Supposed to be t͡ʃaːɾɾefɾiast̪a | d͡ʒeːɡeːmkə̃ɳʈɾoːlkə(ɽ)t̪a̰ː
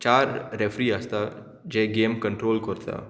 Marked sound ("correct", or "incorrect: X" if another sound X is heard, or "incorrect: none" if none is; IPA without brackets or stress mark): incorrect: ɾ